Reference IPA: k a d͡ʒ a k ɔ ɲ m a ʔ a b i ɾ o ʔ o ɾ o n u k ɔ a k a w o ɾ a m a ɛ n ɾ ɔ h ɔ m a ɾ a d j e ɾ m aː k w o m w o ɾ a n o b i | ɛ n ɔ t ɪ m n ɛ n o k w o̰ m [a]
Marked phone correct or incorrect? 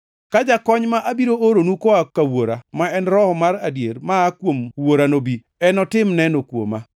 correct